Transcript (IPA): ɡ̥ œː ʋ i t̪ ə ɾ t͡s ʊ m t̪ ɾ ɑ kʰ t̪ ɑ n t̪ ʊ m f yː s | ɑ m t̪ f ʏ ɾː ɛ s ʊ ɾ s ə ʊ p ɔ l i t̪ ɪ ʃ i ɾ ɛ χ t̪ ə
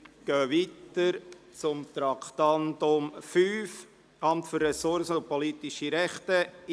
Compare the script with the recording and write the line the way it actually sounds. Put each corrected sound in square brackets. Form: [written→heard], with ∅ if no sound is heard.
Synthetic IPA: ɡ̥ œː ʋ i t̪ ə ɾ t͡s ʊ m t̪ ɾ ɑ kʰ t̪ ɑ n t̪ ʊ m f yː [s→f] | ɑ m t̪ f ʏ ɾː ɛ s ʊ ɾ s ə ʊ p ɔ l i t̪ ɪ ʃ i ɾ ɛ χ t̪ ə